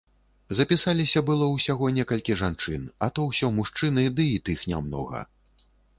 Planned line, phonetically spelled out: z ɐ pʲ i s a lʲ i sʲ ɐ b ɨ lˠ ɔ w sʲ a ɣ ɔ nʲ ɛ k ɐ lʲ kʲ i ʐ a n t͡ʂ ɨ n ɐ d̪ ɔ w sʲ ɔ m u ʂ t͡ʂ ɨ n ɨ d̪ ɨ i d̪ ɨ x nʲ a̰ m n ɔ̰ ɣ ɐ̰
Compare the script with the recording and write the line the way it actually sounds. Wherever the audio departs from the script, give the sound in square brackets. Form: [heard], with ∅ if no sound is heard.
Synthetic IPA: z ɐ pʲ i s a lʲ i sʲ ɐ b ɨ lˠ ɔ w sʲ a ɣ ɔ nʲ ɛ k ɐ lʲ kʲ i ʐ a n t͡ʂ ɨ n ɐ [t̪] ɔ w sʲ ɔ m u ʂ t͡ʂ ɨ n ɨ d̪ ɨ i [t̪] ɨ x nʲ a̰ m n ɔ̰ ɣ ɐ̰